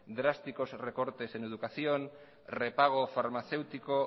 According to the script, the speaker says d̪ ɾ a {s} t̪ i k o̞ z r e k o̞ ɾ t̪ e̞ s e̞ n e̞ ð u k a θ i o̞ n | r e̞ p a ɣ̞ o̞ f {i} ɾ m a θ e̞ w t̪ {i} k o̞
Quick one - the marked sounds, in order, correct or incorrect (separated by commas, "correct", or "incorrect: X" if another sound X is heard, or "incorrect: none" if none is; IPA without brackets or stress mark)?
correct, incorrect: a, correct